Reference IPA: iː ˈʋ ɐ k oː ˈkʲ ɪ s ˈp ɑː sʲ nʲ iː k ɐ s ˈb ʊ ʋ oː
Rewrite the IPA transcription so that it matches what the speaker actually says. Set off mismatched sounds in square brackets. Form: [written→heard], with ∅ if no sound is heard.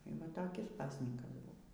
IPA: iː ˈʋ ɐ [k→t] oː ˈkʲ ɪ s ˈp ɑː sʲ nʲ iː k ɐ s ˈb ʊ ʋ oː